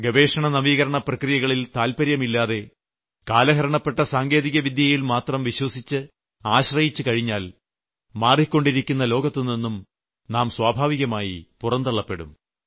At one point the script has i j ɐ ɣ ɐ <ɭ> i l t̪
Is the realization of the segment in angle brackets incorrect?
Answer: no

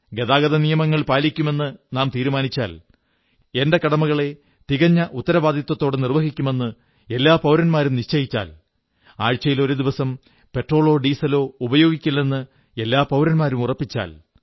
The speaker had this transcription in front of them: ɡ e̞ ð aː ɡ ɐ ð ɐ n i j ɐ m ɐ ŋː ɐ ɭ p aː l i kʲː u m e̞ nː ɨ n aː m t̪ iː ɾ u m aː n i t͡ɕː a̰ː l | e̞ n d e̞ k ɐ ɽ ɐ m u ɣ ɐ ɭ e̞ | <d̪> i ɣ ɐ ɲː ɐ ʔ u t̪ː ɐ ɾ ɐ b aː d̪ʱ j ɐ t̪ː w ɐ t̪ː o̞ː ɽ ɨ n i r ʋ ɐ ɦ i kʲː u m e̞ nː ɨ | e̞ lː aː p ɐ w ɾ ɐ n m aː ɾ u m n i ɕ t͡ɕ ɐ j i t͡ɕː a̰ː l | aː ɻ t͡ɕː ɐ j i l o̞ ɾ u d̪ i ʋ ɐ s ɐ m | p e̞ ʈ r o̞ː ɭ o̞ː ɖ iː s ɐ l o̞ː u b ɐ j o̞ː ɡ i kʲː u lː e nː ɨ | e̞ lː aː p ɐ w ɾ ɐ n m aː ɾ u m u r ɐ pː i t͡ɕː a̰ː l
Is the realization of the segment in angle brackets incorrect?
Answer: yes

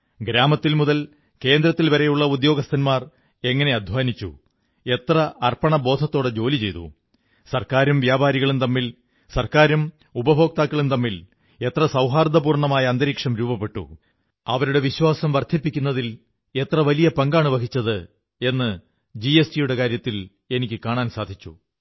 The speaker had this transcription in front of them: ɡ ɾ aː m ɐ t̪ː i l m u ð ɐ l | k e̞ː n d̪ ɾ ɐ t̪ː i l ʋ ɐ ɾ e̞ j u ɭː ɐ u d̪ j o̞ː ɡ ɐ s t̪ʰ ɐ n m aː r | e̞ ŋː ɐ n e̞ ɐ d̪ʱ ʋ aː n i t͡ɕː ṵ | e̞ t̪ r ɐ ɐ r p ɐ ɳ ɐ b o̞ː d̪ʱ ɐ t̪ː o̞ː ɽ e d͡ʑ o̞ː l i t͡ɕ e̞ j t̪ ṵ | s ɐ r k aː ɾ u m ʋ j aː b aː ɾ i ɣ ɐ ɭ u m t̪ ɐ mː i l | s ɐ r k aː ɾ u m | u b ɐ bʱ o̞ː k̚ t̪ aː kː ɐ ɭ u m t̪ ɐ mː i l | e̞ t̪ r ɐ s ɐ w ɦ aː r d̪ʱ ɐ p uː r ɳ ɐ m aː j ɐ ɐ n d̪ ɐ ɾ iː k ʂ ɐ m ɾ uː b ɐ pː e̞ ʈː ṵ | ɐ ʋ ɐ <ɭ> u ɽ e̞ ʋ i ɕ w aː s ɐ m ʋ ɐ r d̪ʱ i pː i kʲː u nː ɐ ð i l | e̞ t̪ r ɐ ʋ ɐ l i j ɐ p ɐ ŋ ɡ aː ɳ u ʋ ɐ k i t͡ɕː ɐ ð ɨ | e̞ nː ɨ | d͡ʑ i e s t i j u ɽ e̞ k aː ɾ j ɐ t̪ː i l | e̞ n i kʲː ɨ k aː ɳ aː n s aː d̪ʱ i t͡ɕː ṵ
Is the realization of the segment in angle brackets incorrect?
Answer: yes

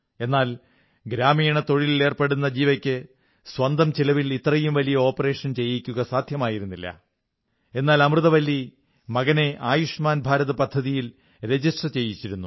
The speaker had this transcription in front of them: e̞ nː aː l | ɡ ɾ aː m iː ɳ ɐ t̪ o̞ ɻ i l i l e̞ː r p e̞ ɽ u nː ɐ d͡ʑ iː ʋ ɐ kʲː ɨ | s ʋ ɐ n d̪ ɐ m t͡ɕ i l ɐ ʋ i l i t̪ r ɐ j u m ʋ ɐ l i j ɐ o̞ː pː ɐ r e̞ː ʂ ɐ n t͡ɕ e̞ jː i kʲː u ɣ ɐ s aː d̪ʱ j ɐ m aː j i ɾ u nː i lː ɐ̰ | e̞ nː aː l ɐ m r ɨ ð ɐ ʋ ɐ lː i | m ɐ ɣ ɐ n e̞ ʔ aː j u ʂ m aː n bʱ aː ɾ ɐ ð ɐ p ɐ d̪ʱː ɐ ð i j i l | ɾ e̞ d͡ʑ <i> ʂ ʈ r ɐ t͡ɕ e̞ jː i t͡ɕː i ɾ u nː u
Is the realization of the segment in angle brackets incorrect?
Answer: no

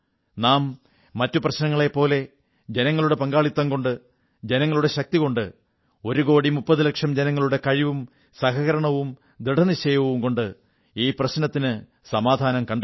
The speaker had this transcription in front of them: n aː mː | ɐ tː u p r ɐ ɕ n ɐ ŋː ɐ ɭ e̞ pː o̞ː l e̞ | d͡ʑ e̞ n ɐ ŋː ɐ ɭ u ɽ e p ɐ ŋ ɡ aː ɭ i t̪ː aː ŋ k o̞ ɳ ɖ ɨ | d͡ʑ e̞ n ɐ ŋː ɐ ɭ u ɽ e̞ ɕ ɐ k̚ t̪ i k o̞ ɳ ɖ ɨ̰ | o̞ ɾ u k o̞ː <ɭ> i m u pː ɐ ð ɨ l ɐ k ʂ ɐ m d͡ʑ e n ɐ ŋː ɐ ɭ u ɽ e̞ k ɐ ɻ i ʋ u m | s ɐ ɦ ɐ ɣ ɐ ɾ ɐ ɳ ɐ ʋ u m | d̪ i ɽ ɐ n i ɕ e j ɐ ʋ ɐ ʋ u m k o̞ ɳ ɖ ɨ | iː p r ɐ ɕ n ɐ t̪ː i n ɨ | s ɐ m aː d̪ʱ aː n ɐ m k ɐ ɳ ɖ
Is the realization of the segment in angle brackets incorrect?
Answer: yes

